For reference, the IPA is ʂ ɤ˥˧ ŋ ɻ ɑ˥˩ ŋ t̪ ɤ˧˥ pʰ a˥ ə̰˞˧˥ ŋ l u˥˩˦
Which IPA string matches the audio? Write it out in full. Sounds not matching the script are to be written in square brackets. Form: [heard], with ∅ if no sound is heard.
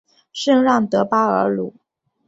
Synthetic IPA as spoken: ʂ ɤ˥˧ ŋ ɻ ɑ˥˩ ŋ t̪ ɤ˧˥ [p] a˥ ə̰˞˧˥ [∅] l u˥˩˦